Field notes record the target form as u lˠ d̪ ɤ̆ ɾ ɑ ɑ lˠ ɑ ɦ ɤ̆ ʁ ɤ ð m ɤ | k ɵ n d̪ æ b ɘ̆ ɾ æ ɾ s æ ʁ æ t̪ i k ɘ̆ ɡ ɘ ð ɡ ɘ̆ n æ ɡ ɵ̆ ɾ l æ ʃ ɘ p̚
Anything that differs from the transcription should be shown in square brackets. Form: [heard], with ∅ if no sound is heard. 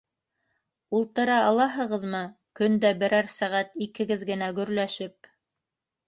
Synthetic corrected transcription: u lˠ [t̪] ɤ̆ ɾ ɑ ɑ lˠ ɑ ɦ ɤ̆ ʁ ɤ ð m ɤ | k ɵ n d̪ æ b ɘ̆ ɾ æ ɾ s æ ʁ æ t̪ i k ɘ̆ ɡ ɘ ð ɡ ɘ̆ n æ ɡ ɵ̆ ɾ l æ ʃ ɘ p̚